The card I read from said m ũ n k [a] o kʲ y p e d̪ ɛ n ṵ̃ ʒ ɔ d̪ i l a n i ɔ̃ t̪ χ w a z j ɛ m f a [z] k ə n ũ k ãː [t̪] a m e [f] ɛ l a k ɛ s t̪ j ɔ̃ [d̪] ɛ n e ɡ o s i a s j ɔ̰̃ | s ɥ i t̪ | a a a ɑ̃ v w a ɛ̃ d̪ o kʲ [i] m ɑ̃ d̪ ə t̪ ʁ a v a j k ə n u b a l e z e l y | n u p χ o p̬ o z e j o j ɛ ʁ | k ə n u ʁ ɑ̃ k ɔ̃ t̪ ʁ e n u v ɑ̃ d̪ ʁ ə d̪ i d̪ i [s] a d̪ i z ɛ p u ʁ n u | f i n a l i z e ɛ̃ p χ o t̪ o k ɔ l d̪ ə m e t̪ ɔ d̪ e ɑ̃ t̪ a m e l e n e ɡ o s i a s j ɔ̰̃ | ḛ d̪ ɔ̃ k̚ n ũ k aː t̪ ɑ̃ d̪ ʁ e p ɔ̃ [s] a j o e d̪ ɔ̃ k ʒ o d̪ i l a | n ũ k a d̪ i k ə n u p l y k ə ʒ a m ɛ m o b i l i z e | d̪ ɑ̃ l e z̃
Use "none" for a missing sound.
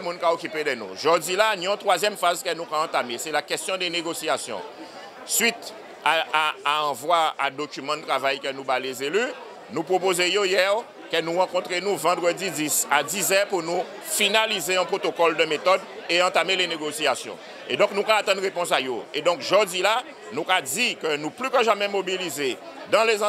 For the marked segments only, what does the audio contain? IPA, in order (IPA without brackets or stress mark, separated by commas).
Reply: a, z, t̪, s, d̪, y, s, s